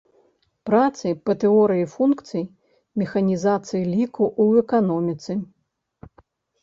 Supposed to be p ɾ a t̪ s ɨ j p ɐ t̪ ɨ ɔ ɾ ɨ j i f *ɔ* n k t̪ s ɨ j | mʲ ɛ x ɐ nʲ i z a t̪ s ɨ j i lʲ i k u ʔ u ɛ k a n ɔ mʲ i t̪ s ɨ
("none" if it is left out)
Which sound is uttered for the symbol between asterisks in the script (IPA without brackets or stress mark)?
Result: u